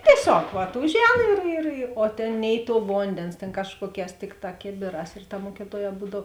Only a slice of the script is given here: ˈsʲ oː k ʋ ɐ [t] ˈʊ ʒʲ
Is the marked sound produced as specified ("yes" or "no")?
yes